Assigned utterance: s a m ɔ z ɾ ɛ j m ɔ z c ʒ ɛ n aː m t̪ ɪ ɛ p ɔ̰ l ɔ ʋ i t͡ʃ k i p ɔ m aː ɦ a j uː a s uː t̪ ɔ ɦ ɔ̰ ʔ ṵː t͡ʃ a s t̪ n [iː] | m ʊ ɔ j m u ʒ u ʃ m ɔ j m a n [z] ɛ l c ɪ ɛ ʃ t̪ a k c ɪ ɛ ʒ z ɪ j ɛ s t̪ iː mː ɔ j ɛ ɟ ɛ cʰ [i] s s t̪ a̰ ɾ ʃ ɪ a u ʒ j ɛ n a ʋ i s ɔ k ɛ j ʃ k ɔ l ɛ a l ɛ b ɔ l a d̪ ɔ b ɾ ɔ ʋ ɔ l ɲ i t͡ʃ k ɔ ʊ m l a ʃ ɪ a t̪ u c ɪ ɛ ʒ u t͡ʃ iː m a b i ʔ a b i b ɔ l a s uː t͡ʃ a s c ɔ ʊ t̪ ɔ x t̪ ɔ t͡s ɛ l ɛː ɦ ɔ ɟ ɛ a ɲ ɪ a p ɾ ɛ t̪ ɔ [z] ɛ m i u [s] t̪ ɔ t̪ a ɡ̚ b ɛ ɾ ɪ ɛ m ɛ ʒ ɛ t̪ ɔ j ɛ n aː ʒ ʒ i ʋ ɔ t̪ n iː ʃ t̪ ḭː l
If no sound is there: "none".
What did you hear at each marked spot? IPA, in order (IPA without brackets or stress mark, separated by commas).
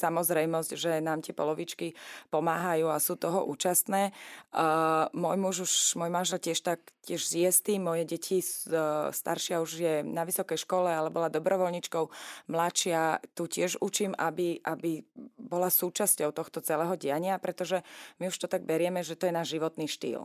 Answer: ɛː, ʒ, i, ʒ, ʃ